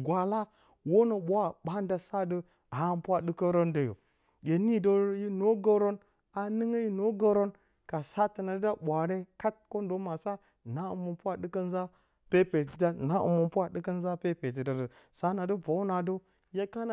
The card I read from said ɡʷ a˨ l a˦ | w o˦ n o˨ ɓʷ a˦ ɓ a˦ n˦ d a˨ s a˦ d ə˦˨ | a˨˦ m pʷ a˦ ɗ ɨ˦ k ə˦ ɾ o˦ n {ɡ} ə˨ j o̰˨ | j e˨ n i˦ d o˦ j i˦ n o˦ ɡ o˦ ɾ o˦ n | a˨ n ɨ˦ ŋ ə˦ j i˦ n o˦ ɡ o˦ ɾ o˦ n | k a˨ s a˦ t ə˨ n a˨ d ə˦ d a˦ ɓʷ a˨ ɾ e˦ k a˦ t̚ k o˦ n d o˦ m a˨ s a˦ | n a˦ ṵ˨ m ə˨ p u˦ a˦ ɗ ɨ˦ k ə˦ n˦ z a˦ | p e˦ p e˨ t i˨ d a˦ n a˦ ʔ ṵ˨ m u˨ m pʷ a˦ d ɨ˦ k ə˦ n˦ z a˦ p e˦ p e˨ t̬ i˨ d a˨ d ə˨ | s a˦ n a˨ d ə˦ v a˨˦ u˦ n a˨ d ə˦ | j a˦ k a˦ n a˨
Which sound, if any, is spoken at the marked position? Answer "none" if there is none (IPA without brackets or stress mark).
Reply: d